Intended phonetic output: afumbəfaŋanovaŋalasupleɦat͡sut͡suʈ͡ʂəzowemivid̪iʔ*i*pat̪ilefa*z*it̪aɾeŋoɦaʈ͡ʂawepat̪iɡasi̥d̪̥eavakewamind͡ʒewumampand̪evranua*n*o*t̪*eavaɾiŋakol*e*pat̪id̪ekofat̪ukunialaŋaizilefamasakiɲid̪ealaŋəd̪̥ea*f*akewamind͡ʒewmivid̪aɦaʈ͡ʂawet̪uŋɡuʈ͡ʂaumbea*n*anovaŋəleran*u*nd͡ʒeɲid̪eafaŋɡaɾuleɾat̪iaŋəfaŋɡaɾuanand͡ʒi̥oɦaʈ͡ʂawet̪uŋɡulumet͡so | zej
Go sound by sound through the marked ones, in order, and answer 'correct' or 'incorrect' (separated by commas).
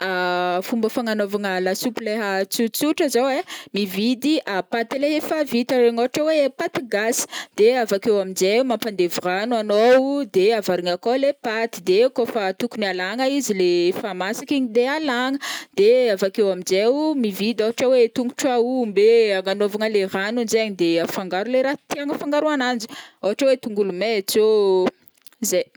incorrect, incorrect, correct, incorrect, correct, incorrect, incorrect, correct